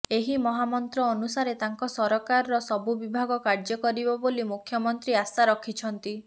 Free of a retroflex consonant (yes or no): yes